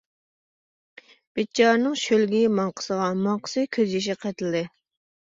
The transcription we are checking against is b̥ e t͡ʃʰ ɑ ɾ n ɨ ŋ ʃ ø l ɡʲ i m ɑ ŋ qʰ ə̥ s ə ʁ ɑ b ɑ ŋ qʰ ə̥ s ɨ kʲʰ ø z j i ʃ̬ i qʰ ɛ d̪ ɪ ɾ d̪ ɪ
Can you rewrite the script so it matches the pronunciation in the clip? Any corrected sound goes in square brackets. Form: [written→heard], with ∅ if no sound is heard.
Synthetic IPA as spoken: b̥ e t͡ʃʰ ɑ ɾ n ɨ ŋ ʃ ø l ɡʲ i m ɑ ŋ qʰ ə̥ s ə ʁ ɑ [b→m] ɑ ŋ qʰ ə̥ s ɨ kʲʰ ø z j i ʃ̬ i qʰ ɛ [d̪→t̪] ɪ [ɾ→l] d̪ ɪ